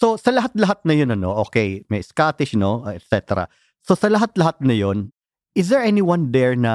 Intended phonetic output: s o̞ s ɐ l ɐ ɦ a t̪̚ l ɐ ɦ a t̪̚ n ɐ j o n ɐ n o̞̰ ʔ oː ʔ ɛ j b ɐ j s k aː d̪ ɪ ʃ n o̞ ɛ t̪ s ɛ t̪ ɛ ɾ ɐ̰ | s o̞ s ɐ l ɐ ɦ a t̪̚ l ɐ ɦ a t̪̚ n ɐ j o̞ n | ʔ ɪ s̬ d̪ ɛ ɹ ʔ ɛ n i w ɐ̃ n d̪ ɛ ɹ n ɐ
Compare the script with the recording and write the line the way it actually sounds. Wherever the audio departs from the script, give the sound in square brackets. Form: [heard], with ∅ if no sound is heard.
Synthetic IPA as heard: s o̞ s ɐ l ɐ ɦ a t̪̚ l ɐ ɦ a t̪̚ n ɐ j o n ɐ n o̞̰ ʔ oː [k] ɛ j [m] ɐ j s k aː [t̪] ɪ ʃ n o̞ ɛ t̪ s ɛ t̪ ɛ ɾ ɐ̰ | s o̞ s ɐ l ɐ ɦ a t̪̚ l ɐ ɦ a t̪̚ n ɐ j o̞ n | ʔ ɪ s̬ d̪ ɛ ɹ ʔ ɛ n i w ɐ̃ n d̪ ɛ ɹ n ɐ